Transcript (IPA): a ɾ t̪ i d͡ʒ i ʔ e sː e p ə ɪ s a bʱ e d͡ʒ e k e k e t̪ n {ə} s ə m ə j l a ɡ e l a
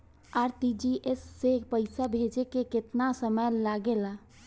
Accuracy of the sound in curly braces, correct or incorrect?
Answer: incorrect